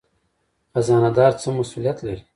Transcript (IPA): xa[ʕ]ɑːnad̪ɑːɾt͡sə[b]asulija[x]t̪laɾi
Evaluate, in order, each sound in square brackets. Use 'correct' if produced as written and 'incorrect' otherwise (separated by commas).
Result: incorrect, incorrect, incorrect